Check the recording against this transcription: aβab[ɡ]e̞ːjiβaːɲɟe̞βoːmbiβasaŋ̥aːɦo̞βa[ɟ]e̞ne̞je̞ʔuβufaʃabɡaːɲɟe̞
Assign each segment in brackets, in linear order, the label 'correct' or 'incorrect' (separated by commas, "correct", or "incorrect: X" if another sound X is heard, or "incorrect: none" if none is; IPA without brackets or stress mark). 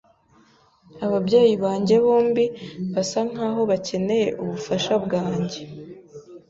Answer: incorrect: ɟ, incorrect: c